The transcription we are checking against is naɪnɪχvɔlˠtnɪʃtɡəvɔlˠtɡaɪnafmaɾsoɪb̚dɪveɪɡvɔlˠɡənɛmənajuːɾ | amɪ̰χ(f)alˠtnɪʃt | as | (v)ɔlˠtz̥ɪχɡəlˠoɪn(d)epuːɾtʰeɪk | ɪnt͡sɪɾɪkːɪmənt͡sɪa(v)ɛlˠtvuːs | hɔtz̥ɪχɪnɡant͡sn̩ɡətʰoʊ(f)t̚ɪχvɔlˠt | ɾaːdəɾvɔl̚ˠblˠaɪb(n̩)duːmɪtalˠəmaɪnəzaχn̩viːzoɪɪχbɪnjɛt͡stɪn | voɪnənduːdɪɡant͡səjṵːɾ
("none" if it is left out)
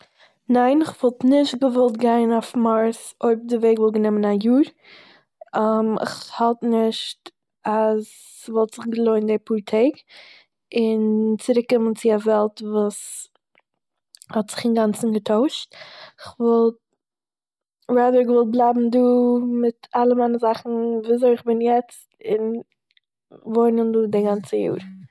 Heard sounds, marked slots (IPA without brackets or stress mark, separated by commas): h, v, d, v, ʃ, m̩